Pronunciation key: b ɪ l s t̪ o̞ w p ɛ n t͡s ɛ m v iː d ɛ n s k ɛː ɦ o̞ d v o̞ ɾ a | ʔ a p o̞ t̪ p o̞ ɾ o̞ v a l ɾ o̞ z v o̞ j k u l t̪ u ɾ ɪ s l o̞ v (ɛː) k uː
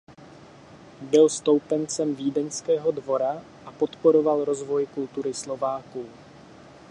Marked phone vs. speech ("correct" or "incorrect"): incorrect